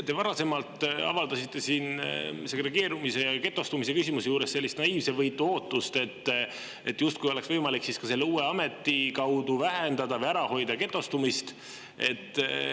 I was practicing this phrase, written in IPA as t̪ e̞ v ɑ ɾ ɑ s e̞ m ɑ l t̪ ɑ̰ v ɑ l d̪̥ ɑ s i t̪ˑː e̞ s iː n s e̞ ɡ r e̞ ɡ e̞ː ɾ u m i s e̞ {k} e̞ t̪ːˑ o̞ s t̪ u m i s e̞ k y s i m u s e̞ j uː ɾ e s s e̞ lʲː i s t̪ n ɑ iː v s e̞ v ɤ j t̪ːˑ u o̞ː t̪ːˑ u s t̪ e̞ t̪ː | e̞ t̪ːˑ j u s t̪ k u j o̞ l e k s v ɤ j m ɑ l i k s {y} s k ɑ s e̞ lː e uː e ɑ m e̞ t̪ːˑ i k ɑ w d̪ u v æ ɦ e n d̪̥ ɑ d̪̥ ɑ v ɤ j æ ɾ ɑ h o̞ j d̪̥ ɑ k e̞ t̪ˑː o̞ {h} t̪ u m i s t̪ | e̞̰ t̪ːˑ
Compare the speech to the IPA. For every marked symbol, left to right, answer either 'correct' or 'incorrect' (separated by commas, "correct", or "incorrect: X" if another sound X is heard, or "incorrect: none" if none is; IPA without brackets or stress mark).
correct, incorrect: i, incorrect: s